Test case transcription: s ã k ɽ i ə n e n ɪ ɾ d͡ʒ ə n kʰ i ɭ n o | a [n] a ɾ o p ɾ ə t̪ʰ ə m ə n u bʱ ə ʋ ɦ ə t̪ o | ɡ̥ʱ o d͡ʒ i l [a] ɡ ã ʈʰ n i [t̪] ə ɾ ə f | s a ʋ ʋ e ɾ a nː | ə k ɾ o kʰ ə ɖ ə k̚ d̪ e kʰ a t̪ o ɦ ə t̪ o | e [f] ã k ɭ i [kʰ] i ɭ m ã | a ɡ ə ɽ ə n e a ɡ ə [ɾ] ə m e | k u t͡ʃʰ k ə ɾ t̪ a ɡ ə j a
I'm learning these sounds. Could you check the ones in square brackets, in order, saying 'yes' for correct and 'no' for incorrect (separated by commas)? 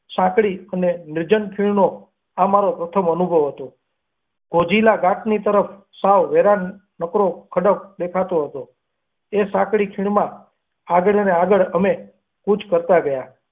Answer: no, yes, yes, no, yes, no